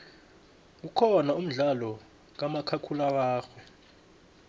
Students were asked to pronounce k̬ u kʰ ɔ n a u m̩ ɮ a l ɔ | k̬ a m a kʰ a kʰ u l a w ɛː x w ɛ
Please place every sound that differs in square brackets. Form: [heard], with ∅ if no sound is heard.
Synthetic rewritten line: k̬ u kʰ ɔ n a u m̩ ɮ a l ɔ | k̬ a m a kʰ a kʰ u l a w [aː] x w ɛ